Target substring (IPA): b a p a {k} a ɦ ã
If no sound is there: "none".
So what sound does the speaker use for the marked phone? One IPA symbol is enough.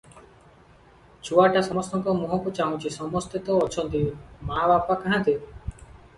k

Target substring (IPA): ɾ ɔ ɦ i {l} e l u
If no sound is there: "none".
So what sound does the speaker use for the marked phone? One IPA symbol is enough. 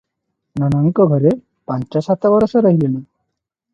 l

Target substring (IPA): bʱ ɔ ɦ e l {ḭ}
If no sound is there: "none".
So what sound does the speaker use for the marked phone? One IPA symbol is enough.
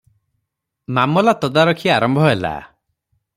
a̰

